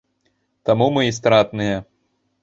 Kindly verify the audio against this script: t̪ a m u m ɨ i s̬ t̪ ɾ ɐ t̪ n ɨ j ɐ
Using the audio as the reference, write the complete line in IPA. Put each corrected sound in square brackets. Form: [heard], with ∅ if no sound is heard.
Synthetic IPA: t̪ a m u m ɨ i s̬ t̪ ɾ [a] t̪ n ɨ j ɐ